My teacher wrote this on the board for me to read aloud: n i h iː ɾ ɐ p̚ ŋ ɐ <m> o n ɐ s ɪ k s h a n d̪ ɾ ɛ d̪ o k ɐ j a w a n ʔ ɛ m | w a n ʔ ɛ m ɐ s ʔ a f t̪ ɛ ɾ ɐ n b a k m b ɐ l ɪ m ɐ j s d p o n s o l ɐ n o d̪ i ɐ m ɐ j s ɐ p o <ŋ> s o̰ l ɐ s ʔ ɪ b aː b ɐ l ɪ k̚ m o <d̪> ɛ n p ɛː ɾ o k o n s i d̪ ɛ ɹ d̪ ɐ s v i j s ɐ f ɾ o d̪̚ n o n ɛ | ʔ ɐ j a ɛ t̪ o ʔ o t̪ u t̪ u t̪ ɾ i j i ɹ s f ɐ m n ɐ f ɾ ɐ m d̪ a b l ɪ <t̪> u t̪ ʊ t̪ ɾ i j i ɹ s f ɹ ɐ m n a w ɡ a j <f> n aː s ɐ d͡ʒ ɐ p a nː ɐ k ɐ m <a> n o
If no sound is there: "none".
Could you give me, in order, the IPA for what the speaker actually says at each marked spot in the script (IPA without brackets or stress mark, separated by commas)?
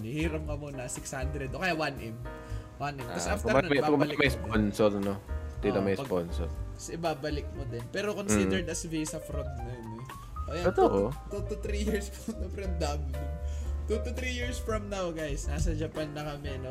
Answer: m, n, d̪, t̪, s, ɛ